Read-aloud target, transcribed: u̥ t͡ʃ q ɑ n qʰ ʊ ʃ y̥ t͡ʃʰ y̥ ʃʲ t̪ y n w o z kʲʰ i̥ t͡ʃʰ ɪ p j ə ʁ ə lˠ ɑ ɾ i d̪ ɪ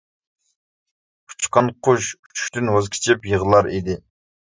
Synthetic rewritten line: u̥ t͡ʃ q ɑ n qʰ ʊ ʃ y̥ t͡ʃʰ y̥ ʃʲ t̪ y n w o z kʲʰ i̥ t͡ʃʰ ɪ p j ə ʁ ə lˠ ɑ ɾ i d̪ ɪ